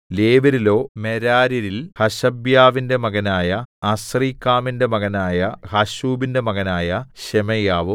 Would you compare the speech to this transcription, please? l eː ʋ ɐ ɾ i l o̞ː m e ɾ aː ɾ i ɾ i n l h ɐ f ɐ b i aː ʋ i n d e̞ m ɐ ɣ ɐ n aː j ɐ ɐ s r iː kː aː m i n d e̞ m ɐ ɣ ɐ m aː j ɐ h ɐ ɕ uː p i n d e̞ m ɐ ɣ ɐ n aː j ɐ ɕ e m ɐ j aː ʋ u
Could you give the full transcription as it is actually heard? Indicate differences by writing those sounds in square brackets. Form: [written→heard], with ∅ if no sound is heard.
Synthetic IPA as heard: l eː ʋ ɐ ɾ i l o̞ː m e ɾ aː ɾ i ɾ i [n→∅] l h ɐ [f→ɕ] ɐ b [i→j] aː ʋ i n d e̞ m ɐ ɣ ɐ n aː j ɐ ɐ s r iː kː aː m i n d e̞ m ɐ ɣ ɐ [m→n] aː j ɐ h ɐ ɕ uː [p→b] i n d e̞ m ɐ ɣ ɐ n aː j ɐ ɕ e m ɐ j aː ʋ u